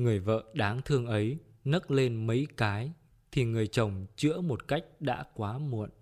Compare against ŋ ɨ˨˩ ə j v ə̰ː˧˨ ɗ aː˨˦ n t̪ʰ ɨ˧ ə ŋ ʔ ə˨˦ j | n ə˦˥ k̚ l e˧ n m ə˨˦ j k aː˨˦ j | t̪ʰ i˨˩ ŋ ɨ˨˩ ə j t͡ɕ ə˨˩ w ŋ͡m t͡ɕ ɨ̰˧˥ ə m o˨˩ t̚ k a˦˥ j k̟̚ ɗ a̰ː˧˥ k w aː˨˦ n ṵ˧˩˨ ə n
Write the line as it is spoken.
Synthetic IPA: ŋ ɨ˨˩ ə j v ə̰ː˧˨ ɗ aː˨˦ ŋ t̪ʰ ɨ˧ ə ŋ ʔ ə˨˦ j | n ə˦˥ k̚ l e˧ n m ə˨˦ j k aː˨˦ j | t̪ʰ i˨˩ ŋ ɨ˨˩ ə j t͡ɕ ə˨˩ w ŋ͡m t͡ɕ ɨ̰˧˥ ə m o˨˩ t̚ k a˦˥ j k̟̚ ɗ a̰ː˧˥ k w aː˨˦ m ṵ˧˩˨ ə n